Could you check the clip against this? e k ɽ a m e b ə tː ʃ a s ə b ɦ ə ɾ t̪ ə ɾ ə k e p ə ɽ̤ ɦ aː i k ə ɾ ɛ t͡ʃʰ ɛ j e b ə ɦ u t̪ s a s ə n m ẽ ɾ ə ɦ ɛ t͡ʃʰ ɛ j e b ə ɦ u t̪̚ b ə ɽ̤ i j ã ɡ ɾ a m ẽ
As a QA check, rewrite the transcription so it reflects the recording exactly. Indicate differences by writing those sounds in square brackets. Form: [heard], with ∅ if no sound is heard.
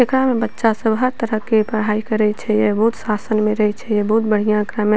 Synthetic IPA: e k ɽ a m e b ə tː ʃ a s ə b ɦ ə ɾ t̪ ə ɾ ə k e p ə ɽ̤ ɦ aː i k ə ɾ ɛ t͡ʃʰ ɛ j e b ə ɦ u t̪ s a s ə n m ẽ ɾ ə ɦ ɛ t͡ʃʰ ɛ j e b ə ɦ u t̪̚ b ə ɽ̤ i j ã [k] ɾ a m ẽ